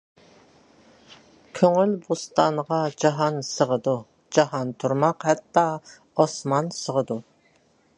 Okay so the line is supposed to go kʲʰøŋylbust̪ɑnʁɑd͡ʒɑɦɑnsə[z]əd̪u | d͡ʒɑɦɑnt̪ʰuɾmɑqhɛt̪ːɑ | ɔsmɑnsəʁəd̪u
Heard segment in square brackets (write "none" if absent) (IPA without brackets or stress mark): ʁ